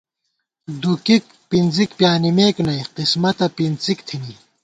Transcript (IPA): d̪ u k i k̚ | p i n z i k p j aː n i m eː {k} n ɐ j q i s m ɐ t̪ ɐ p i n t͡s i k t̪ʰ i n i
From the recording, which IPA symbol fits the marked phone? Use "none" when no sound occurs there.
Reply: k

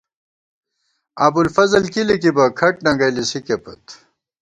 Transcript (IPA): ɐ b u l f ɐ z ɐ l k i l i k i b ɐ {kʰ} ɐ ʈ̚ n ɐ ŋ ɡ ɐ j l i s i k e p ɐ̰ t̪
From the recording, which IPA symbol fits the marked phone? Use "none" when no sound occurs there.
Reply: kʰ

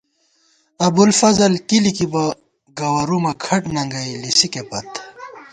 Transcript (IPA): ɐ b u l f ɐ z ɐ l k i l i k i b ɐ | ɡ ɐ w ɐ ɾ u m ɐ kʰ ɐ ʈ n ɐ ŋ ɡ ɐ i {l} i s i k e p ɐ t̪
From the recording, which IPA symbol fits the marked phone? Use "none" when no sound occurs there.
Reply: l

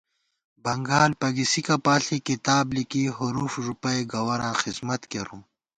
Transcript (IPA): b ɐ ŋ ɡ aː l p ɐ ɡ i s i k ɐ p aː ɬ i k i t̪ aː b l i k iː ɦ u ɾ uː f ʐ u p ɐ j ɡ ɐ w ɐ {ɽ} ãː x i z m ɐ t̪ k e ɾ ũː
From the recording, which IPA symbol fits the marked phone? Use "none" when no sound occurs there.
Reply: ɾ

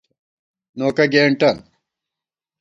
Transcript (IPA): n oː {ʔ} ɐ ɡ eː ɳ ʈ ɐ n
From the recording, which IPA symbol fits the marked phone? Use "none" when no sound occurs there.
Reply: k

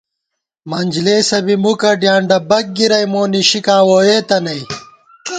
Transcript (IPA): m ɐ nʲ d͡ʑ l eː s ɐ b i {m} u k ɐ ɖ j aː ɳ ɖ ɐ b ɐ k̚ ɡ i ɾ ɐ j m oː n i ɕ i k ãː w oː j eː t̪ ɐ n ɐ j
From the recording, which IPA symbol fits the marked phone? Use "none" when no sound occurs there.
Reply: m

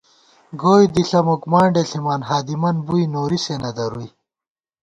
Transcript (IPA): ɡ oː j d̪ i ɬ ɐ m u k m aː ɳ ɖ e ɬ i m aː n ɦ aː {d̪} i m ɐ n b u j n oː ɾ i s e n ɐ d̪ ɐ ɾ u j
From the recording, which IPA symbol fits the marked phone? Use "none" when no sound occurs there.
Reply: d̪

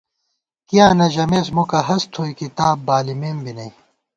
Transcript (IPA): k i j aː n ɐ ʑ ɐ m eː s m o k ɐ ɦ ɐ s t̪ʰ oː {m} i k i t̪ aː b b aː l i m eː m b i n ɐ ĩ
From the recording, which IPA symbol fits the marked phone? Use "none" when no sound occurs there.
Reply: none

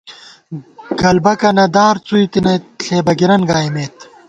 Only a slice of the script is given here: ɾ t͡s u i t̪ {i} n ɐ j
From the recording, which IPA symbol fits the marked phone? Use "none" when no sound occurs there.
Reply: i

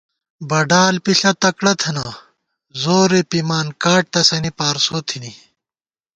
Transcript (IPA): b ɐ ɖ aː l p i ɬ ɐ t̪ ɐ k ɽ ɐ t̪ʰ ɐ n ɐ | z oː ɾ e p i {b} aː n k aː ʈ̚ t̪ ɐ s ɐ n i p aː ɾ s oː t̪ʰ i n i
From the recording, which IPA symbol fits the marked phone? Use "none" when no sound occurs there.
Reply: m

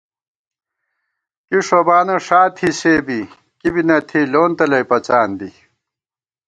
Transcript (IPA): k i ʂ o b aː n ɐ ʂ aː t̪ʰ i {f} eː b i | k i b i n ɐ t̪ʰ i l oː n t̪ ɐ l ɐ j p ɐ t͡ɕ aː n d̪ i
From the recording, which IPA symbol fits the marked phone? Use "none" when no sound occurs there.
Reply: s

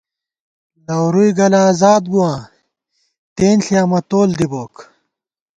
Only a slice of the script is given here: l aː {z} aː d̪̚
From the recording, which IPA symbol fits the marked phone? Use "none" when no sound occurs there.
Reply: z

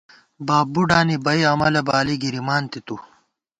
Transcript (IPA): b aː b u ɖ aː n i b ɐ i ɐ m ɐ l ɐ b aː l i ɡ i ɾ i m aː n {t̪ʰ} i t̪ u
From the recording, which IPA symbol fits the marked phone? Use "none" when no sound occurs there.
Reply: t̪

